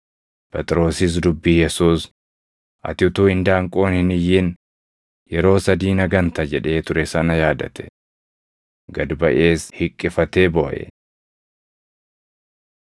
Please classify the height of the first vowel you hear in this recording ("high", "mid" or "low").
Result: mid